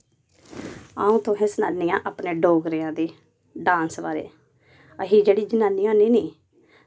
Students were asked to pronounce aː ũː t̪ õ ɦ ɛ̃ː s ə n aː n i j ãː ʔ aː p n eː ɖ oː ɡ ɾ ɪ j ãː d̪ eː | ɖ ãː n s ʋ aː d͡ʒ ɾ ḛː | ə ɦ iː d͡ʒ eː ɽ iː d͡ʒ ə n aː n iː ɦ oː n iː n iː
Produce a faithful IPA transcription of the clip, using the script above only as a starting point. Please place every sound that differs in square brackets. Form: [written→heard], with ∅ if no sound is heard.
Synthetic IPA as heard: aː ũː t̪ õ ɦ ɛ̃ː s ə n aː n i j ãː ʔ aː p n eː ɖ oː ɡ ɾ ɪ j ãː d̪ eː | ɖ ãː n s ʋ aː [d͡ʒ→∅] ɾ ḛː | ə ɦ iː d͡ʒ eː ɽ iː d͡ʒ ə n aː n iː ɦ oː n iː n iː